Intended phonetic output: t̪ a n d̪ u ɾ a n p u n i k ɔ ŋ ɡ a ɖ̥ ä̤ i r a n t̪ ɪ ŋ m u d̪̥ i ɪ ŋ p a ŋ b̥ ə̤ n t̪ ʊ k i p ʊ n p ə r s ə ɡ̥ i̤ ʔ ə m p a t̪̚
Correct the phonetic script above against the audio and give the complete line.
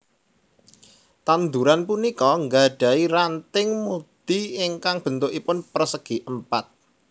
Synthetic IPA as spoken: t̪ a n d̪ u ɾ a n p u n i k ɔ ŋ ɡ a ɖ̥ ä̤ i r a n t̪ ɪ ŋ m u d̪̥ i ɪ ŋ k a ŋ b̥ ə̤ n t̪ ʊ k i p ʊ n p ə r s ə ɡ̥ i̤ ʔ ə m p a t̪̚